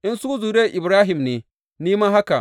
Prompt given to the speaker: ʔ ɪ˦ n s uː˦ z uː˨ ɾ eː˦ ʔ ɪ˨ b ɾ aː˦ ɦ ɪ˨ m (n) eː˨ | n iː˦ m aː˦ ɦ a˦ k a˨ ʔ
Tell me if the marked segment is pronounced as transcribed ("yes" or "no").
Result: yes